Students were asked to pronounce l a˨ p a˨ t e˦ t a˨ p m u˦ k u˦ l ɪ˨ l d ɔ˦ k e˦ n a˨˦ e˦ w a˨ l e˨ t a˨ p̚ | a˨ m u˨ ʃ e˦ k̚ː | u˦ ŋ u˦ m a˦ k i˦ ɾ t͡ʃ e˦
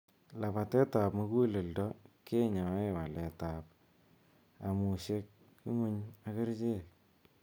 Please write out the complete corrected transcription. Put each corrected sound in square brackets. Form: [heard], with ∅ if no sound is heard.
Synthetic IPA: l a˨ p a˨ t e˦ t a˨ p m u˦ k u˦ l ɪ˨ l d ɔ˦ k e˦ [ɲ] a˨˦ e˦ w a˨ l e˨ t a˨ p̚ | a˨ m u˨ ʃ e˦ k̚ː | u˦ ŋ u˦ [ɲ] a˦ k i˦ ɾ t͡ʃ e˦